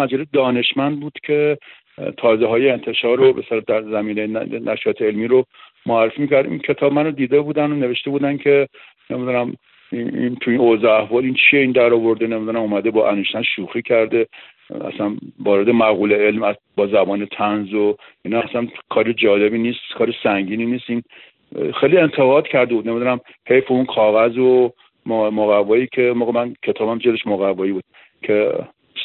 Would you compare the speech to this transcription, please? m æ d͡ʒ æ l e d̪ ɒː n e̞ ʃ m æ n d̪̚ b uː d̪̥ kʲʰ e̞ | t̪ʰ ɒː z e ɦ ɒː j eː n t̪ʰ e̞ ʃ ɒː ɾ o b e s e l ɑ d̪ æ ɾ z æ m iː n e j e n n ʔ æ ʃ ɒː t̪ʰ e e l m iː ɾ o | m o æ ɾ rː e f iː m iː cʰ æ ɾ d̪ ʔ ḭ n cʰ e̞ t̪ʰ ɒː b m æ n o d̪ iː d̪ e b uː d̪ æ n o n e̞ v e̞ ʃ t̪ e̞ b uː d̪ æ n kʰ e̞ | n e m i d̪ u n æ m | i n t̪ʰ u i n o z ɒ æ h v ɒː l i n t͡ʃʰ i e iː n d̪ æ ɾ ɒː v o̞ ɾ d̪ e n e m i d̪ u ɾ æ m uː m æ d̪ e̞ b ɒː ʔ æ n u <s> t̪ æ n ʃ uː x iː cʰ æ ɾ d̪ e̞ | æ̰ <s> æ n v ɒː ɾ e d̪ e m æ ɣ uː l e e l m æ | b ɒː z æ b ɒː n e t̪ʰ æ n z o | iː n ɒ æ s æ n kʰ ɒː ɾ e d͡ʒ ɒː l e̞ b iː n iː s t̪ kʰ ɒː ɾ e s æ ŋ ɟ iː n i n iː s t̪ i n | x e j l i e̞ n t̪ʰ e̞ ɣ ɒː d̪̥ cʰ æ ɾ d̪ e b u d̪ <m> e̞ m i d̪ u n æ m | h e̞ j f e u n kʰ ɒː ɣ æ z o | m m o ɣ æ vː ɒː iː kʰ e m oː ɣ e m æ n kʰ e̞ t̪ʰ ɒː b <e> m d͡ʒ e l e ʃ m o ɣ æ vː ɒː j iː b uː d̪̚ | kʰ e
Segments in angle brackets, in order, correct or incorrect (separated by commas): incorrect, correct, incorrect, incorrect